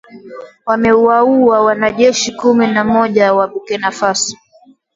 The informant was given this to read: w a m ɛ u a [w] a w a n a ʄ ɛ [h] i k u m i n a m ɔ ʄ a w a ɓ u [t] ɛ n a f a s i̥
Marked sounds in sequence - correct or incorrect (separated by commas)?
incorrect, incorrect, incorrect